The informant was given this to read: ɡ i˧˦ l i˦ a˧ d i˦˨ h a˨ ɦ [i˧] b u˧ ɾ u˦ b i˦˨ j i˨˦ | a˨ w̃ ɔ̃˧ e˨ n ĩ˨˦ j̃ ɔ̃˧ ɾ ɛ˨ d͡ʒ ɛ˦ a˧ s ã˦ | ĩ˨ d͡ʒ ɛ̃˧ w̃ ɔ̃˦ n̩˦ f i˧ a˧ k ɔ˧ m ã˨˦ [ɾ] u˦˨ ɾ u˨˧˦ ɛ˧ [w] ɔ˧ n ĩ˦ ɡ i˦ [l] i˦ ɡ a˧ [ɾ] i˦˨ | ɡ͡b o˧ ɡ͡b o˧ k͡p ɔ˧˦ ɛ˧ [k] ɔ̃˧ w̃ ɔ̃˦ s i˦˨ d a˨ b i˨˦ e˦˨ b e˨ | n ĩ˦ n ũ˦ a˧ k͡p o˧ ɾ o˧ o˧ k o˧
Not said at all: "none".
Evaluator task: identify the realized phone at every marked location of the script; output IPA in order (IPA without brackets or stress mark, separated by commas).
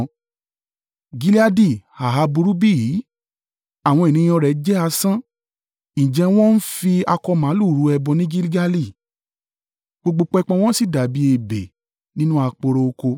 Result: a˧, l, b, l, l, k͡p